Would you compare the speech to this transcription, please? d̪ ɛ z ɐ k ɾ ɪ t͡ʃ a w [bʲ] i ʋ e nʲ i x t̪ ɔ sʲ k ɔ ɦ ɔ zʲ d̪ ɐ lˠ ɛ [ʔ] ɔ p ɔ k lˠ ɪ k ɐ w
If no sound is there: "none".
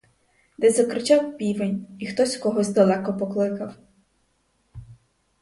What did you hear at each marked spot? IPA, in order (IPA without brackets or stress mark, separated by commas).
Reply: pʲ, k